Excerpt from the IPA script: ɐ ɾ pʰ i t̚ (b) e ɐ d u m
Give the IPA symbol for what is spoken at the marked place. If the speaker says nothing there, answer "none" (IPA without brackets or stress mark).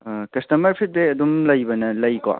b